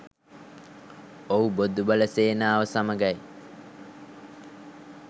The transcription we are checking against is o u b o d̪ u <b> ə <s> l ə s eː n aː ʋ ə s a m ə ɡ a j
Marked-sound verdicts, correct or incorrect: correct, incorrect: none

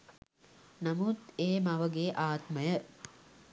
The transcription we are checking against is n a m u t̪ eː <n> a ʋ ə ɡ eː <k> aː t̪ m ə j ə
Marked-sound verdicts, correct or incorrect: incorrect: m, incorrect: ʔ

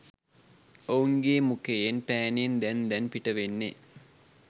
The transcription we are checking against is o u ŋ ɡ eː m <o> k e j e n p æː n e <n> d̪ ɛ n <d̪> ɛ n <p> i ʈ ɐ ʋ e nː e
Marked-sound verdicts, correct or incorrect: incorrect: u, correct, correct, correct

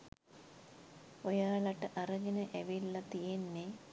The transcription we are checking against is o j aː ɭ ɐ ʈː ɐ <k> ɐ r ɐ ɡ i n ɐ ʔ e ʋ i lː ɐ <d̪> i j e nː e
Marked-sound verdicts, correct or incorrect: incorrect: ʔ, incorrect: t̪

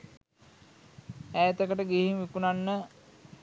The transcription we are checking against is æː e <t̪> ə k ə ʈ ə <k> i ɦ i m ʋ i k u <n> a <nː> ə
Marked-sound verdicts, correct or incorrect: correct, incorrect: ɡ, correct, correct

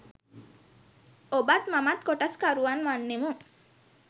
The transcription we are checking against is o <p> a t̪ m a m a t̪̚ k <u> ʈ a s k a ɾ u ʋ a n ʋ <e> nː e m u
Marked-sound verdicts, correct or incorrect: incorrect: b, incorrect: o, incorrect: a

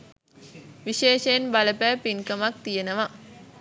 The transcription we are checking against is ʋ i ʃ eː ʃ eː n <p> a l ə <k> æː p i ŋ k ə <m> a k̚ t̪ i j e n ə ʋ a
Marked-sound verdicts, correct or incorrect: incorrect: b, incorrect: p, correct

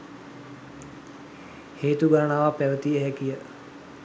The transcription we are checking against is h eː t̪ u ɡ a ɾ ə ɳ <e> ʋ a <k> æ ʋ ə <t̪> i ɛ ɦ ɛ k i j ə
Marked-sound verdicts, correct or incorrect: incorrect: a, incorrect: p, correct

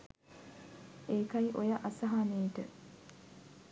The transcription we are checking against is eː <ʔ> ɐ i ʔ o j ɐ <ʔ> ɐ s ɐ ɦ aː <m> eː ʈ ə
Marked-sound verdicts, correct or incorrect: incorrect: k, correct, incorrect: n

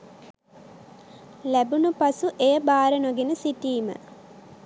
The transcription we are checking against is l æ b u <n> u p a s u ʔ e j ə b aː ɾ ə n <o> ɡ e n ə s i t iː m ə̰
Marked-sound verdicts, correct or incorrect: correct, correct

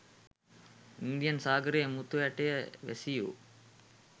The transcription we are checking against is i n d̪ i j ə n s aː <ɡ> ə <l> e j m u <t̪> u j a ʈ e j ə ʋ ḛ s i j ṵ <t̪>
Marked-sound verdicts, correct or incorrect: correct, incorrect: ɾ, correct, incorrect: none

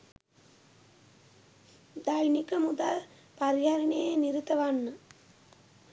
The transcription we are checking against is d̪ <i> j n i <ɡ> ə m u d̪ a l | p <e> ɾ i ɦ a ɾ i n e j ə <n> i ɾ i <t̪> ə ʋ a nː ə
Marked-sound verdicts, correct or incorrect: incorrect: a, incorrect: k, incorrect: a, correct, correct

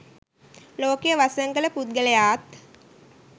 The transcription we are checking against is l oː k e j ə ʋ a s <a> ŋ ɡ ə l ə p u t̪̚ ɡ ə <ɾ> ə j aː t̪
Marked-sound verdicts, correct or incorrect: incorrect: ə, incorrect: l

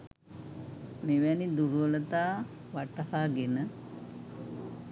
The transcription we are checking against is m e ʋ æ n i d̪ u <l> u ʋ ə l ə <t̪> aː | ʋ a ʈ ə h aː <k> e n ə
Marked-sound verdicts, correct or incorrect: incorrect: ɾ, correct, incorrect: ɡ

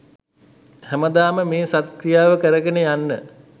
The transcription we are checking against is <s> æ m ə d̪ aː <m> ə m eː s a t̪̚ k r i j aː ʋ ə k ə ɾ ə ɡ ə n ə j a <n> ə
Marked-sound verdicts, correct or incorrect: incorrect: h, correct, incorrect: nː

